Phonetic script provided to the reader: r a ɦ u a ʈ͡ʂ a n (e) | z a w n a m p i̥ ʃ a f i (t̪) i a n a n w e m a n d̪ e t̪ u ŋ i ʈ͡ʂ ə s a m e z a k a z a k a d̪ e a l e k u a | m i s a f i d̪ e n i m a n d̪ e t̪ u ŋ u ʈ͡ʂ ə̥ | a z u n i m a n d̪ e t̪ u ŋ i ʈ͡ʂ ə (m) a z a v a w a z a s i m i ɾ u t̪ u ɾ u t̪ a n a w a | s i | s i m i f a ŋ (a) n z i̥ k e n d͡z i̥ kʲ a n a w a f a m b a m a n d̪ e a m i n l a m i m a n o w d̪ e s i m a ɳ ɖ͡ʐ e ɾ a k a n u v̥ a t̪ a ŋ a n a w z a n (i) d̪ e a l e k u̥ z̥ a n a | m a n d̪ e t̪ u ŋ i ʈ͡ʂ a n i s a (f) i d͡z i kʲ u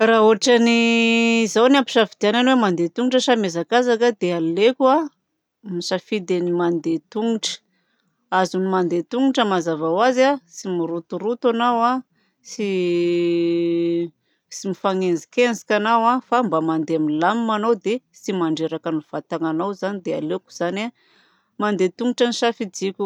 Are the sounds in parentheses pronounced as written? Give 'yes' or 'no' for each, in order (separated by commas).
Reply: no, no, yes, no, yes, yes